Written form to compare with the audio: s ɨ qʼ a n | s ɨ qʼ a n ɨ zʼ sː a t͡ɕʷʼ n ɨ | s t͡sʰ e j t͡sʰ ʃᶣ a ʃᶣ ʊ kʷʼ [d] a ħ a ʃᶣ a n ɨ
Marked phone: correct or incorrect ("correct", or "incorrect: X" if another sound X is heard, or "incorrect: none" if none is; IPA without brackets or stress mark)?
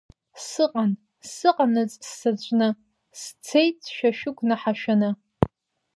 incorrect: n